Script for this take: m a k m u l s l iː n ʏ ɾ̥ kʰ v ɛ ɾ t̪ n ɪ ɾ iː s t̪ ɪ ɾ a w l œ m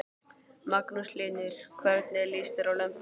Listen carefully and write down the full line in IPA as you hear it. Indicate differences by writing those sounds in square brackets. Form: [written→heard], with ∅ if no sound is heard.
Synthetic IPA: m a k [m→n] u [l→∅] s l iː n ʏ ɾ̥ kʰ v ɛ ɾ t̪ n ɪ [ɾ→l] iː s t̪ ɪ ɾ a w l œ m